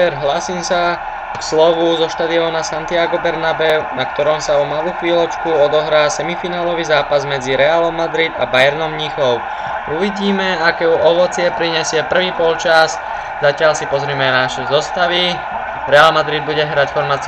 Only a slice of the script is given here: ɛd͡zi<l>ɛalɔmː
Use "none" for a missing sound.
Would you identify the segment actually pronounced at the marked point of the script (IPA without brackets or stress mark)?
ɾ